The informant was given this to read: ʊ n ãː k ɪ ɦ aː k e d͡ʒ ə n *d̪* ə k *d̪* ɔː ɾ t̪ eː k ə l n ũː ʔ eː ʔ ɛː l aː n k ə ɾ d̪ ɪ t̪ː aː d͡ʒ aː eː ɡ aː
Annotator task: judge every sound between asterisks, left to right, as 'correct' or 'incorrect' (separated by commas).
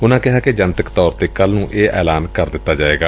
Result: incorrect, incorrect